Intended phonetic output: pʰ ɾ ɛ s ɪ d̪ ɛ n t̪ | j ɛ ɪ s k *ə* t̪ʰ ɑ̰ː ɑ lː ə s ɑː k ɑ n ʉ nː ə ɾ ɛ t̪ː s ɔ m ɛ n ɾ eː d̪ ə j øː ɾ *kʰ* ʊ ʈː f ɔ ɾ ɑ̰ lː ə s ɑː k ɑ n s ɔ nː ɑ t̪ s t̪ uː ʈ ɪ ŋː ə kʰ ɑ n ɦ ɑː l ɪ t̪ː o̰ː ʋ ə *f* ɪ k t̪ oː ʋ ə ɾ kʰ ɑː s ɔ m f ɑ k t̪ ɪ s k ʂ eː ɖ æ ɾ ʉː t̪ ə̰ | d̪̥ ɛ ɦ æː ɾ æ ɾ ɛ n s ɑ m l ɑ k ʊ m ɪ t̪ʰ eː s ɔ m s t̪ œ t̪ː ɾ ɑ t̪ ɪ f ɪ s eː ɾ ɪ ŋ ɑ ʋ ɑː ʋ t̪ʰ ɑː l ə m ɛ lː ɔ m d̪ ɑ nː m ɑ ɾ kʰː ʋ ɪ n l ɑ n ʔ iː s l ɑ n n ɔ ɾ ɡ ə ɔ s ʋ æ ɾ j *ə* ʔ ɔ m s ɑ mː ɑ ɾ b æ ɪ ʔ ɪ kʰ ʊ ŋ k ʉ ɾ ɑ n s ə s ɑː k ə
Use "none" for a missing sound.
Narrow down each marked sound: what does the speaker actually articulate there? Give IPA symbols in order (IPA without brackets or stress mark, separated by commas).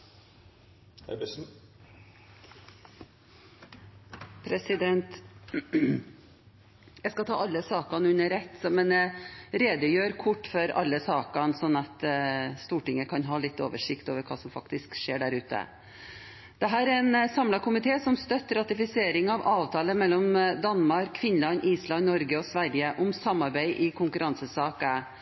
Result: ɑ, kʰ, ʂ, ə